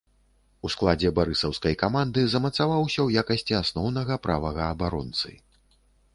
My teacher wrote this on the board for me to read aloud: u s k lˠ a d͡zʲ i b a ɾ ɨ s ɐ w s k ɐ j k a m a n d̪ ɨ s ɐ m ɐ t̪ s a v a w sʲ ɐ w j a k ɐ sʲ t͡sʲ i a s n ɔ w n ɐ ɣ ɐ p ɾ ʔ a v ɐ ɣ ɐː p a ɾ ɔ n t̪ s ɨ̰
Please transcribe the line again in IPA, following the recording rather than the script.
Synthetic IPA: u s k lˠ a d͡zʲ ɛ b a ɾ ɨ s ɐ w s k ɐ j k a m a n d̪ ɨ z ɐ m ɐ t̪ s a v a w sʲ ɐ w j a k ɐ sʲ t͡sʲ i a s n ɔ w n ɐ ɣ ɐ p ɾ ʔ a v ɐ ɣ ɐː b a ɾ ɔ n t̪ s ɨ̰